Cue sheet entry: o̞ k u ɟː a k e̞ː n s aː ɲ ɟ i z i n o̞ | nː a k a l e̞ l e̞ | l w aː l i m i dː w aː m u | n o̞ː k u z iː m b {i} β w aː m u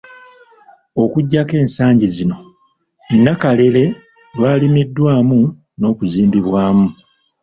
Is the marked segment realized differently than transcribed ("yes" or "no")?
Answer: no